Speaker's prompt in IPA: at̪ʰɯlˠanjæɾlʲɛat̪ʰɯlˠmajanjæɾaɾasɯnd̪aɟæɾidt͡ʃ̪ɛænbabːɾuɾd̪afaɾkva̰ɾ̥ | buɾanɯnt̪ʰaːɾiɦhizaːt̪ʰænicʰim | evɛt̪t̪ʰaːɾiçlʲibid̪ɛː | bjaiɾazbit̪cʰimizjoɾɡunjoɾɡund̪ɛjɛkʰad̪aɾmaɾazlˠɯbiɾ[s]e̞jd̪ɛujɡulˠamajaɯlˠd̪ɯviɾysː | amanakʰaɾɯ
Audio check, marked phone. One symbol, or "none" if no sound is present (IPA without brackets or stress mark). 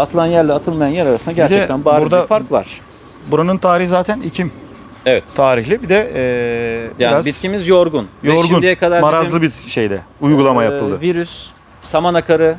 ʃ